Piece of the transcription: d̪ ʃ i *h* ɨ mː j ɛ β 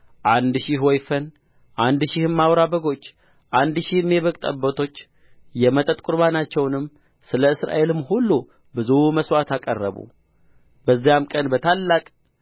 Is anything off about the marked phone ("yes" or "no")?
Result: no